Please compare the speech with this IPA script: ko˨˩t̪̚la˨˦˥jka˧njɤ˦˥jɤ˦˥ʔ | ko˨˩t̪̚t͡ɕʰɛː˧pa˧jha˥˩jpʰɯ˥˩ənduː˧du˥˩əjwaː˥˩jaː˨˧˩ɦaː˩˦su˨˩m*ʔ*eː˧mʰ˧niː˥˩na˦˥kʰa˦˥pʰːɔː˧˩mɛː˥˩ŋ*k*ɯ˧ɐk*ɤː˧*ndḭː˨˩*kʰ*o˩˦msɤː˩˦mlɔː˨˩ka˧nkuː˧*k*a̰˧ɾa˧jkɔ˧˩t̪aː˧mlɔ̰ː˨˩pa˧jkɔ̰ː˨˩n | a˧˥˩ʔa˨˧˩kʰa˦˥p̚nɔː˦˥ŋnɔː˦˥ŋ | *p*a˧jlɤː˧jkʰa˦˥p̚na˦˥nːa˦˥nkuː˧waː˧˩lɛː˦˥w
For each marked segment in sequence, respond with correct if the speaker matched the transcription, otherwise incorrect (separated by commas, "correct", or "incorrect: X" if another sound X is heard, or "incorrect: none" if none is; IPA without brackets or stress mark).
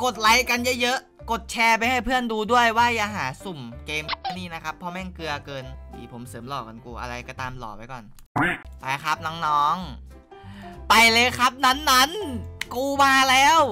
incorrect: k, correct, correct, incorrect: pʰ, incorrect: ʔ, correct